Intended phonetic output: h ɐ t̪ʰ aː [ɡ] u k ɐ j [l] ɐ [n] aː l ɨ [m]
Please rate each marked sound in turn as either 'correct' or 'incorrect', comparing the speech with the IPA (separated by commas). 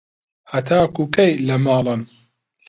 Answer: incorrect, correct, incorrect, incorrect